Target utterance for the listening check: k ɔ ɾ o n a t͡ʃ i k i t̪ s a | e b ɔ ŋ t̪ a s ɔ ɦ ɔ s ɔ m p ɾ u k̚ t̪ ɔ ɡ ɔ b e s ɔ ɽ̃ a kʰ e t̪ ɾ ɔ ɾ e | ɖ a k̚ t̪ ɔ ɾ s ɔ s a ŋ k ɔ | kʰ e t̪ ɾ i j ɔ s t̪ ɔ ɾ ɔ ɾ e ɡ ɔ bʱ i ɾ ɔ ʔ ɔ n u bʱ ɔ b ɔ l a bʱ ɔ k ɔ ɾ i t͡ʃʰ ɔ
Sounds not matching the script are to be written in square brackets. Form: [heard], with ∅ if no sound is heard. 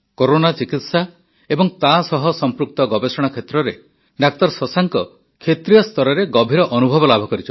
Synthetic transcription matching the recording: k [o] ɾ o n a t͡ʃ i k i t̪ s a | e b ɔ ŋ t̪ a s ɔ ɦ ɔ s ɔ m p ɾ u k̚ t̪ ɔ ɡ ɔ b e s ɔ ɽ̃ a kʰ e t̪ ɾ ɔ ɾ e | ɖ a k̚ t̪ ɔ ɾ s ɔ s a ŋ k ɔ | kʰ e t̪ ɾ i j ɔ s t̪ ɔ ɾ ɔ ɾ e ɡ ɔ bʱ i ɾ ɔ ʔ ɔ n u bʱ ɔ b ɔ l a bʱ ɔ k ɔ ɾ i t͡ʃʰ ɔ